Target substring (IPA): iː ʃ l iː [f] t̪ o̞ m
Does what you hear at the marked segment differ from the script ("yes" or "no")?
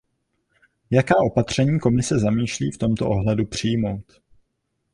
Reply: no